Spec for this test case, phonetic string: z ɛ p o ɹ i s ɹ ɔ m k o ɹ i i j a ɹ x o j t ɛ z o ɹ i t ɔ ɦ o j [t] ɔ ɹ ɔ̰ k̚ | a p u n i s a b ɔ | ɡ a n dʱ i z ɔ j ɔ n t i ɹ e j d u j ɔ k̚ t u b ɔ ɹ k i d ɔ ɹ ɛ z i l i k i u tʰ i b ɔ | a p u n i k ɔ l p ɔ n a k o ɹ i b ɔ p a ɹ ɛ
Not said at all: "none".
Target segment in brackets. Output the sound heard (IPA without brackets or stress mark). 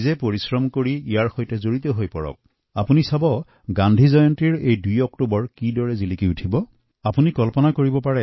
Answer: p